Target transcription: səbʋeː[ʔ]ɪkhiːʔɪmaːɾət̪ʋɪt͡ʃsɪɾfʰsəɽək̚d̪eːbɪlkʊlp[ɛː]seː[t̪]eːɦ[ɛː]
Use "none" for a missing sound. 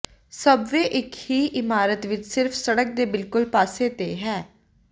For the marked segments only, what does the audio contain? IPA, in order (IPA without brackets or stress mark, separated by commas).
ʔ, aː, t̪, ɛː